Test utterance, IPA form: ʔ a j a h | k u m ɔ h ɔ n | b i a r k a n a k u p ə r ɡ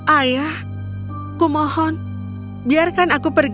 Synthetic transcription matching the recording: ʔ a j a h | k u m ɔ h ɔ n | b i a r k a n a k u p ə r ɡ